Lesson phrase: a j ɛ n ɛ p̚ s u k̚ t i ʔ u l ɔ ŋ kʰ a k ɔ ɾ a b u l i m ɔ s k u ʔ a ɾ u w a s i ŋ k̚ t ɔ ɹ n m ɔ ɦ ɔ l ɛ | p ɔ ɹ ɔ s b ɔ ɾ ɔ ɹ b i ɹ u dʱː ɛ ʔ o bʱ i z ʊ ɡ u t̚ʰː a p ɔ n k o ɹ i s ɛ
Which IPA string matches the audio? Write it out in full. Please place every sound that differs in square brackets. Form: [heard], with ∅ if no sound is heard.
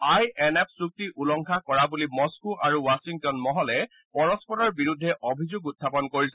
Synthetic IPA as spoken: a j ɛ n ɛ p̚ s u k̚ t i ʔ u l ɔ ŋ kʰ a k ɔ [ɹ] a b u l i m ɔ s k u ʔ a [ɹ] u w a s i ŋ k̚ t ɔ [∅] n m ɔ ɦ ɔ l ɛ | p ɔ ɹ ɔ s [p] ɔ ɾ ɔ ɹ b i ɹ u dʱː ɛ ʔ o bʱ i z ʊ ɡ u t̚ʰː a p ɔ n k o ɹ i s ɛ